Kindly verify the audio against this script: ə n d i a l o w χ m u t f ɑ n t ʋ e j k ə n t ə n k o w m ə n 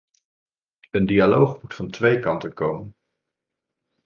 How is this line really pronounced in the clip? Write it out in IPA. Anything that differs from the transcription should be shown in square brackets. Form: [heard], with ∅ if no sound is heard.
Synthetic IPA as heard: ə n d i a l o w χ m u t f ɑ n t ʋ e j k [ɑ] n t ə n k o w m ə n